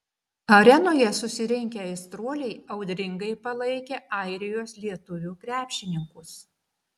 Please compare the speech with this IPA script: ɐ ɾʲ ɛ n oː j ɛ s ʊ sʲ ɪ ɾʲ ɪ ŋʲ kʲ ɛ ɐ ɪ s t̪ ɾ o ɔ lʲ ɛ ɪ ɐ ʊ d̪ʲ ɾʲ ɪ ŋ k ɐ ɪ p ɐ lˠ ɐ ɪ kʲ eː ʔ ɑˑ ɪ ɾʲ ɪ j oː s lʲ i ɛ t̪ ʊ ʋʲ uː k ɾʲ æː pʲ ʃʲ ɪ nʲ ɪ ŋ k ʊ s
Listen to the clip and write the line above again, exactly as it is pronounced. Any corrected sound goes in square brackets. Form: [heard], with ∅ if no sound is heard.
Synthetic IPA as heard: ɐ ɾʲ ɛ n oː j ɛ s ʊ sʲ ɪ ɾʲ ɪ ŋʲ kʲ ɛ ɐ ɪ s t̪ ɾ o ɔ lʲ ɛ ɪ ɐ ʊ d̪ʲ ɾʲ ɪ ŋ [ɡ] ɐ ɪ p ɐ lˠ ɐ ɪ kʲ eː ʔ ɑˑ ɪ ɾʲ ɪ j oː s lʲ i ɛ t̪ ʊ ʋʲ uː k ɾʲ æː pʲ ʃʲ ɪ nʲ ɪ ŋ k ʊ s